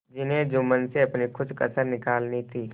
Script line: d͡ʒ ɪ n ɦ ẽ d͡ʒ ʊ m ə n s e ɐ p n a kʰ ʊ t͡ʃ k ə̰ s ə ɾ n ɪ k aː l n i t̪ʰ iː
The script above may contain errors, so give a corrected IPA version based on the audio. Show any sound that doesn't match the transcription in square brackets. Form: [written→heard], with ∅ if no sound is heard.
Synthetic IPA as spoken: d͡ʒ ɪ n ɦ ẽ d͡ʒ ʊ m ə n s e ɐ p n [a→i] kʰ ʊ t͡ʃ k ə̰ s ə ɾ n ɪ k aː l n i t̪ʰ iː